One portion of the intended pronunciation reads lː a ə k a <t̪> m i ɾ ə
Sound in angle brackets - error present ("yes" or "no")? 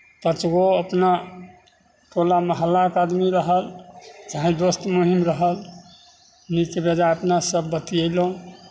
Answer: yes